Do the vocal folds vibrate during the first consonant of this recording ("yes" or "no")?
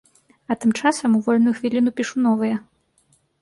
no